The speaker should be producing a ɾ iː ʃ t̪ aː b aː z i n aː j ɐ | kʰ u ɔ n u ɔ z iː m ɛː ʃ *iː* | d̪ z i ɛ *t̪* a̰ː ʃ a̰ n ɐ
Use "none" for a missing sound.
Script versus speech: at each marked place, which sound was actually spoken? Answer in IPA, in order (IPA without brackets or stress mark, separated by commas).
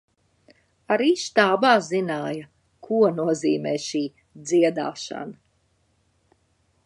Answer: iː, d̪